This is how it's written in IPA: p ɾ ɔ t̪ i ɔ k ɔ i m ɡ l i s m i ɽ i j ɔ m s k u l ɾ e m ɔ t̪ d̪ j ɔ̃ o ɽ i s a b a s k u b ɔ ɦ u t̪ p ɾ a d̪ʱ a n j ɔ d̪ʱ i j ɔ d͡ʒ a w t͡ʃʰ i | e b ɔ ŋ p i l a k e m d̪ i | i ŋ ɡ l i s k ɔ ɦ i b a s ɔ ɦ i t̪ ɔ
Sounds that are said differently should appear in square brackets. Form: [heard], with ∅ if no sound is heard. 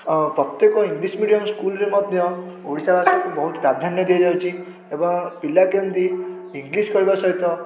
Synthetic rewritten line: p ɾ ɔ t̪ [j] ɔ k ɔ i [ŋ] ɡ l i s m i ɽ i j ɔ m s k u l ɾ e m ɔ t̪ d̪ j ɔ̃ o ɽ i s a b a s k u b ɔ ɦ u t̪ p ɾ a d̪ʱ a n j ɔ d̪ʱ i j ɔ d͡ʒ a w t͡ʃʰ i | e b ɔ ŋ p i l a k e m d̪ i | i ŋ ɡ l i s k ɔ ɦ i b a s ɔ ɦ i t̪ ɔ

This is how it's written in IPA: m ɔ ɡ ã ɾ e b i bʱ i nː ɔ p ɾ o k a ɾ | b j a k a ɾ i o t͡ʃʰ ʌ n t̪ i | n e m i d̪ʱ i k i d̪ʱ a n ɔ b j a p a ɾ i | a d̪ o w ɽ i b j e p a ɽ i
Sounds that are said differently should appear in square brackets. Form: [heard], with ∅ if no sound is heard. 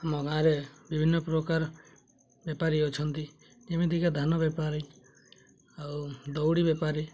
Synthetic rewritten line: m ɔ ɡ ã ɾ e b i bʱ i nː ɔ p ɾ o k a ɾ | b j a [p] a ɾ i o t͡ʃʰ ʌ n t̪ i | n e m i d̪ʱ i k [a] d̪ʱ a n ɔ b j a p a ɾ i | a d̪ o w ɽ i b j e p a [ɾ] i

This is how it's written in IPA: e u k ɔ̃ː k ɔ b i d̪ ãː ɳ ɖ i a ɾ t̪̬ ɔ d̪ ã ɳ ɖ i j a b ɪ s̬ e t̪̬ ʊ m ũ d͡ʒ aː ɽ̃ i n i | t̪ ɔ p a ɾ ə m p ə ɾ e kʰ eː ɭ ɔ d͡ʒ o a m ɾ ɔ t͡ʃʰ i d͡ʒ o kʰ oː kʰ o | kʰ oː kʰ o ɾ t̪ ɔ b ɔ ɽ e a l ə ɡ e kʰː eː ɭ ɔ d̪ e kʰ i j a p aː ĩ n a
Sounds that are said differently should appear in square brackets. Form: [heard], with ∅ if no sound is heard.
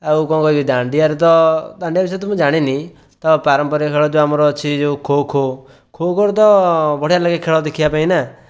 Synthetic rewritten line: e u k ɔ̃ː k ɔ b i d̪ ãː ɳ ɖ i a ɾ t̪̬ ɔ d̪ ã ɳ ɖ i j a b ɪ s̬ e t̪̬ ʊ m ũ d͡ʒ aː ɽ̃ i n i | t̪ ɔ p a ɾ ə m p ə ɾ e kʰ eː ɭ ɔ d͡ʒ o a m ɾ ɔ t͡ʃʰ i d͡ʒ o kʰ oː kʰ o | kʰ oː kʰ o ɾ t̪ ɔ b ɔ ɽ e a l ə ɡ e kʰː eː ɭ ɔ d̪ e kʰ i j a p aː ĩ n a

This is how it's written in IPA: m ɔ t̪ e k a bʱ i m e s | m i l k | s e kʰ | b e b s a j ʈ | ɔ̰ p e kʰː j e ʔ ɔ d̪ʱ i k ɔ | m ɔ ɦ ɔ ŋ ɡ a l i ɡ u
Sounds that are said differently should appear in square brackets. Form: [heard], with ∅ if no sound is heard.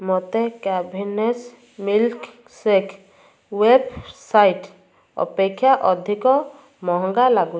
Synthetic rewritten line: m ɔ t̪ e k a bʱ i [n] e s | m i l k | s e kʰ | [w] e b s a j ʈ | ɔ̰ p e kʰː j [a] ʔ ɔ d̪ʱ i k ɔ | m ɔ ɦ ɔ ŋ ɡ a l [a] ɡ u

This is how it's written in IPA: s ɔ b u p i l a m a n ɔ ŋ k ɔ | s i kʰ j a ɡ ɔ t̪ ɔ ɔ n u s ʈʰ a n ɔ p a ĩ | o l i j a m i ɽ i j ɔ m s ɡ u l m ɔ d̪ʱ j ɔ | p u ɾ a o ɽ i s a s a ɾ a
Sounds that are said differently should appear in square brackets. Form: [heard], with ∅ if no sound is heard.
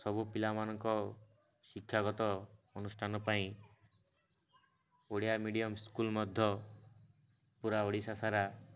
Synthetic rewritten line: s ɔ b u p i l a m a n ɔ ŋ k ɔ | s i kʰ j a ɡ ɔ t̪ ɔ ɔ n u s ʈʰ a n ɔ p a ĩ | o [ɽ] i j a m i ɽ i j ɔ m s [k] u l m ɔ d̪ʱ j ɔ | p u ɾ a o ɽ i s a s a ɾ a

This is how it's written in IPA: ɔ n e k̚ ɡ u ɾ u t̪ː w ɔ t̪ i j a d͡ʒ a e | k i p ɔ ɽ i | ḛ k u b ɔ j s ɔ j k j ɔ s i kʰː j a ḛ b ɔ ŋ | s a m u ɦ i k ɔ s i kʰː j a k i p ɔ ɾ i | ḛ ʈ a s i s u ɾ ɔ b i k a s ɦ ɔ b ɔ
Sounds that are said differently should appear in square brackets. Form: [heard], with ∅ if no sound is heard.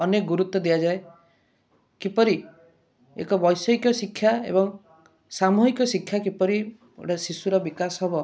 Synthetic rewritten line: ɔ n e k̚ ɡ u ɾ u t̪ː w ɔ [d̪] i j a d͡ʒ a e | k i p ɔ [ɾ] i | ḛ k [ɔ] b ɔ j s ɔ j k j ɔ s i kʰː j a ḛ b ɔ ŋ | s a m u ɦ i k ɔ s i kʰː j a k i p ɔ ɾ i | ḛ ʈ a s i s u ɾ ɔ b i k a s ɦ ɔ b ɔ

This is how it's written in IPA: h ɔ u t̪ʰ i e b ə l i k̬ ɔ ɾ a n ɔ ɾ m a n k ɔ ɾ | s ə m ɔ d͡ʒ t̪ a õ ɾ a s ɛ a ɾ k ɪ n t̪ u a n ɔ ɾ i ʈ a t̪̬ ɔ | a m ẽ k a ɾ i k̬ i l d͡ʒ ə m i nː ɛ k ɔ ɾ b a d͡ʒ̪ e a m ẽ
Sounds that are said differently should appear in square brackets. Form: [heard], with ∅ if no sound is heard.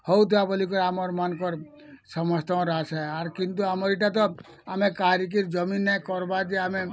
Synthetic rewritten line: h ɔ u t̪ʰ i [a] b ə l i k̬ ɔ ɾ a [m] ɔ ɾ m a n k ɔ ɾ | s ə m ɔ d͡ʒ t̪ a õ ɾ a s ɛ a ɾ k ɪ n t̪ u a [m] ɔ ɾ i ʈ a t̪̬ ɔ | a m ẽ k a ɾ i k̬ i [ɾ] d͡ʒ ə m i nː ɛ k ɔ ɾ b a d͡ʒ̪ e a m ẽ

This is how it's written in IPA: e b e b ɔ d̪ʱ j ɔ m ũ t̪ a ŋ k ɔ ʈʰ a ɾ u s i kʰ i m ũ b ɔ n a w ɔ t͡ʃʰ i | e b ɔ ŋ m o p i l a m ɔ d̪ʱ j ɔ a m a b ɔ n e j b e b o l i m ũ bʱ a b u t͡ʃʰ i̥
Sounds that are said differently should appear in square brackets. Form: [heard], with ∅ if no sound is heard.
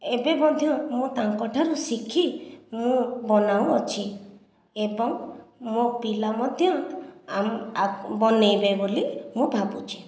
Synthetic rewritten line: e b e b ɔ d̪ʱ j ɔ m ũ t̪ a ŋ k ɔ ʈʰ a ɾ u s i kʰ i m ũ b ɔ n a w ɔ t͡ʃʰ i | e b ɔ ŋ m o p i l a m ɔ d̪ʱ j ɔ a m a b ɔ n e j b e b o l i m ũ bʱ a b u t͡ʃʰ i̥

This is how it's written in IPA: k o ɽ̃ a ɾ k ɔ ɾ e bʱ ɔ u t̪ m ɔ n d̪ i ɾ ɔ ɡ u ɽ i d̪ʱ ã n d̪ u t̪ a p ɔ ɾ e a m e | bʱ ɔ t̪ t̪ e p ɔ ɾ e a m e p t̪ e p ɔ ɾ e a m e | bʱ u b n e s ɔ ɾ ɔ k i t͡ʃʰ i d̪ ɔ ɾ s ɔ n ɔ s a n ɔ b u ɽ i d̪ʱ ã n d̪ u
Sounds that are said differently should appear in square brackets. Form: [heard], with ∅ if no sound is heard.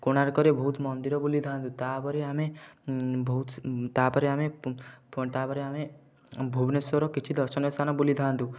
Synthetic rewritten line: k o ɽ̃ a ɾ k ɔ ɾ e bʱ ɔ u t̪ m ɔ n d̪ i ɾ ɔ [b] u [l] i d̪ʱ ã n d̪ u t̪ a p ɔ ɾ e a m e | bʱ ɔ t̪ t̪ [a] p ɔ ɾ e a m e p t̪ [a] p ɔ ɾ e a m e | bʱ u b n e s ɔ ɾ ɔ k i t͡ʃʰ i d̪ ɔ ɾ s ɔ n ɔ s a n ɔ b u [l] i d̪ʱ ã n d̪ u

